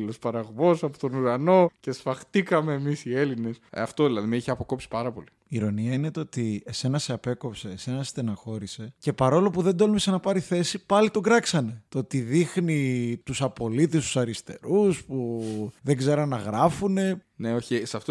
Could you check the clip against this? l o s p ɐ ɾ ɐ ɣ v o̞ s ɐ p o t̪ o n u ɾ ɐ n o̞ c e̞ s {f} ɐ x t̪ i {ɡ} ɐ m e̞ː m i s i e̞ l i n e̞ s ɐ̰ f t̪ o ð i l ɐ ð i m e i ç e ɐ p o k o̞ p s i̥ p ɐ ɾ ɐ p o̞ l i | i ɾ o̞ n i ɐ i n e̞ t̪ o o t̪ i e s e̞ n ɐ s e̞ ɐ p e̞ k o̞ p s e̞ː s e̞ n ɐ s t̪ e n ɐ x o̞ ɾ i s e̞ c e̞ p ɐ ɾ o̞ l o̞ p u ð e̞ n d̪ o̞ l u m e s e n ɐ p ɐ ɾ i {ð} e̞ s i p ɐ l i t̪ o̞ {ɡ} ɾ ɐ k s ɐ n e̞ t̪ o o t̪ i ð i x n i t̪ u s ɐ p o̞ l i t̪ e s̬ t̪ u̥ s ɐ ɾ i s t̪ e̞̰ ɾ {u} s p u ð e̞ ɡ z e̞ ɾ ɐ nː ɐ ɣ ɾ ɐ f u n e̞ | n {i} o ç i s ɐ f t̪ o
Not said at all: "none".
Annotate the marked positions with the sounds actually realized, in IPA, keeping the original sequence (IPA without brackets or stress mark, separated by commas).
f, k, θ, ɡ, u, e